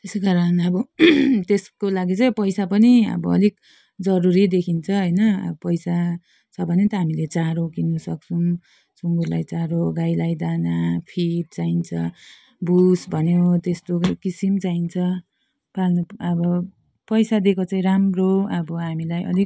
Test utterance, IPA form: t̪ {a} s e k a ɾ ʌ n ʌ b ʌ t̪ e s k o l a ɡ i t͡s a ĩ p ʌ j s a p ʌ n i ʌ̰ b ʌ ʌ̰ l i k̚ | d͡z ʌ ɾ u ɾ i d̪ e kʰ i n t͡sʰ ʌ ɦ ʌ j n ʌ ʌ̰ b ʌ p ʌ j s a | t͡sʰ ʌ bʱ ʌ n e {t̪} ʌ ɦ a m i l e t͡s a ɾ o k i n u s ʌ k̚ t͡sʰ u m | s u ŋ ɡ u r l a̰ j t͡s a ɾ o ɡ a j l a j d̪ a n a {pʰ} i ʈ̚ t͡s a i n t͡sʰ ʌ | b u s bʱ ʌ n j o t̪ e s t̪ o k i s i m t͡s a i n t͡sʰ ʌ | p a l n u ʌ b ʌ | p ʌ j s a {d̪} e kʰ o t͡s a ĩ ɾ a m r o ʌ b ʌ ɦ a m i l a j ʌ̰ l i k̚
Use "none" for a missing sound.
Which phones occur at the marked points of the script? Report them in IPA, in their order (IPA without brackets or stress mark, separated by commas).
e, t̪, pʰ, d̪